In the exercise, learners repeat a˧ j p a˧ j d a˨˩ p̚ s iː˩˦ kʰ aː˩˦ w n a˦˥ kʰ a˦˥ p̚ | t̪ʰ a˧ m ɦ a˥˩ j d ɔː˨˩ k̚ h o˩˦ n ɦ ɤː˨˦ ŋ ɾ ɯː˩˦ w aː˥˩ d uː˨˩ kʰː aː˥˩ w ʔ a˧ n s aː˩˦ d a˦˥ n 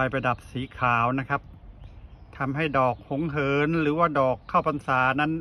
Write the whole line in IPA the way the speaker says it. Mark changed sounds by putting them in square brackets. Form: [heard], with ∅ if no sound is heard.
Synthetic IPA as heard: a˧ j p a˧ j d a˨˩ p̚ s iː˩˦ kʰ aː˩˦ w n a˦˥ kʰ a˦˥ p̚ | t̪ʰ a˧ m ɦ a˥˩ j d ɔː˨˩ k̚ h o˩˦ [ŋ] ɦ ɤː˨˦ [n] ɾ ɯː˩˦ w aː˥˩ d [ɔː˨˩] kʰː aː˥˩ w [p] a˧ n s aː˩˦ [n] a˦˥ n